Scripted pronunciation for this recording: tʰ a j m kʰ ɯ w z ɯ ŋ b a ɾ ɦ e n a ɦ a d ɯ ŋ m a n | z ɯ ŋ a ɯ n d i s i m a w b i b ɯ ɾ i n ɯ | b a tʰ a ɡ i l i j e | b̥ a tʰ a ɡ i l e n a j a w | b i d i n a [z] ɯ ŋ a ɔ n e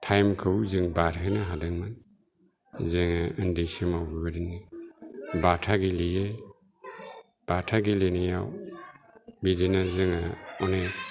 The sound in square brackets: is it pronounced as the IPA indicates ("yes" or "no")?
yes